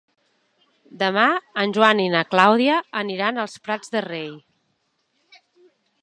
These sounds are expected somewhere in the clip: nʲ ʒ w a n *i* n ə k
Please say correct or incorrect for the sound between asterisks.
correct